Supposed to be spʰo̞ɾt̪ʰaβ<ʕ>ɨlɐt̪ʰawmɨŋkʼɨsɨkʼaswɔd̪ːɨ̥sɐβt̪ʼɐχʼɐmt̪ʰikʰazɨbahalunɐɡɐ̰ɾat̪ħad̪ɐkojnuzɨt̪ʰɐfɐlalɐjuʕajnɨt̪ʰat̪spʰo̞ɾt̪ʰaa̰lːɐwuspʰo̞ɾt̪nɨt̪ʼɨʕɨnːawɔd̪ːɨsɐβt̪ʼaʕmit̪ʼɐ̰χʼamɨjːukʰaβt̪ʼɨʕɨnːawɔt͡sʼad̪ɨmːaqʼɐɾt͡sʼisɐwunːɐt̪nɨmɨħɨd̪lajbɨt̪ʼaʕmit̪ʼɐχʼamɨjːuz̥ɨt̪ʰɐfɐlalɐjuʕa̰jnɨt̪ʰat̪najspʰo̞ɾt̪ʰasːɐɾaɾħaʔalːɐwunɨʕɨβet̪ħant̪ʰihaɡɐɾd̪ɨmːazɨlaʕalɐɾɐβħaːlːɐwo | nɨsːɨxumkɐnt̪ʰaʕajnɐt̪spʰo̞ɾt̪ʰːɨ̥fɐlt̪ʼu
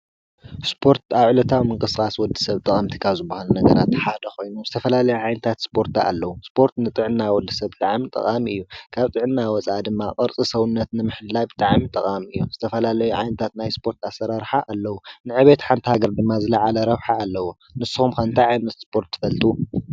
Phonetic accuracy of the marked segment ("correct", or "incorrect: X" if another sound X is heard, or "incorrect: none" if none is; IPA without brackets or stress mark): correct